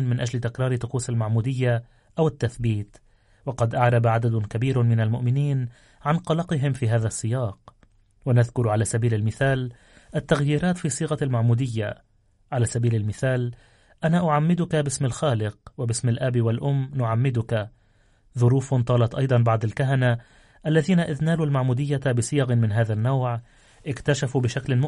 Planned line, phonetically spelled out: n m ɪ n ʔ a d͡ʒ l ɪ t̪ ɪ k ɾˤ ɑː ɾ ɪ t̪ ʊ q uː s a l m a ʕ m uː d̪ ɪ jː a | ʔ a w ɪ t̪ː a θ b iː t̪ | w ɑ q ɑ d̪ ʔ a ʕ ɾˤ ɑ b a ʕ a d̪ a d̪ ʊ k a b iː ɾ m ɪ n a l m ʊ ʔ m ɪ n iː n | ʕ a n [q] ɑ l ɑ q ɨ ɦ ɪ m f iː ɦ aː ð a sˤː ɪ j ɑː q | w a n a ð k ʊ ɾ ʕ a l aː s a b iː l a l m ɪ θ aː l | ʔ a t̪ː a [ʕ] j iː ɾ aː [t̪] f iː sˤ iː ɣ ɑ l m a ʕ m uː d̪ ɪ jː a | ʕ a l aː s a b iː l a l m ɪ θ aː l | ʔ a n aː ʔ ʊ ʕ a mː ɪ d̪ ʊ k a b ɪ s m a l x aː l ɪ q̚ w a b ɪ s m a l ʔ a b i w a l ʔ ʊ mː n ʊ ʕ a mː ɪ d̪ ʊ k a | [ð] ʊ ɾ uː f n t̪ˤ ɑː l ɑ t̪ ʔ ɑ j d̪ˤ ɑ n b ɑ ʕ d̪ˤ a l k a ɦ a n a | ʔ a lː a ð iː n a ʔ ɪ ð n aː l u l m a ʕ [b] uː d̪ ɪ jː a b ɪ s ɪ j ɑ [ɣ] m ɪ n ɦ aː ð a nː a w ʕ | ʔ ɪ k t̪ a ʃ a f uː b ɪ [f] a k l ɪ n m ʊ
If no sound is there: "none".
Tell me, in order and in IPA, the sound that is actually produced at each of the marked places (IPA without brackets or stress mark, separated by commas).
q, ɣ, t̪, ð, m, ɣ, ʃ